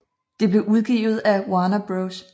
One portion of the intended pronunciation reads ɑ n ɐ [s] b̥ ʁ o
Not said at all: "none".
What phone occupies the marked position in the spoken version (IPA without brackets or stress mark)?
none